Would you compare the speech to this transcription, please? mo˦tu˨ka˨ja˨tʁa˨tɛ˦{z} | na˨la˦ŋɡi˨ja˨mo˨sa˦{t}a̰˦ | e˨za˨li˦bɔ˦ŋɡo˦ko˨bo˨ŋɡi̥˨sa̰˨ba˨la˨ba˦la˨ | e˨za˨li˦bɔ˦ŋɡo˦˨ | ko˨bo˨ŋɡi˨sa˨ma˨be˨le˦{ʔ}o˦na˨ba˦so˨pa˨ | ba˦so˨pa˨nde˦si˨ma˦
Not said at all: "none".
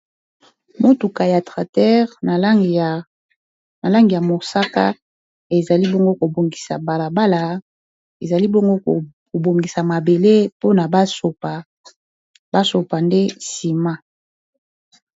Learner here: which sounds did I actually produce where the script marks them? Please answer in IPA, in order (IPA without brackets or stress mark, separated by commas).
ʁ, k, p